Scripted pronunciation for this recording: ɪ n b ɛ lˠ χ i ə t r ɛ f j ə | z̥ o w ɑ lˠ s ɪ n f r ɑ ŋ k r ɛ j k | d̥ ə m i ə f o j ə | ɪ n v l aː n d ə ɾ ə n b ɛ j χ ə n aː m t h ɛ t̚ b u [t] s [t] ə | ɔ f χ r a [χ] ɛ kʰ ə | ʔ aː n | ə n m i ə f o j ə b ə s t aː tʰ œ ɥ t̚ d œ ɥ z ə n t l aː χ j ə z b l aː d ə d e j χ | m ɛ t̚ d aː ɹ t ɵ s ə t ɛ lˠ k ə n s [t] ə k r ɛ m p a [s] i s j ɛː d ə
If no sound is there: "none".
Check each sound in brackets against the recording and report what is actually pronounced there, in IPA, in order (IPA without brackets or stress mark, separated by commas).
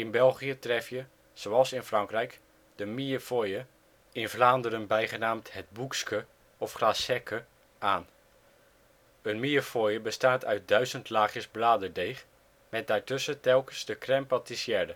k, k, s, d, t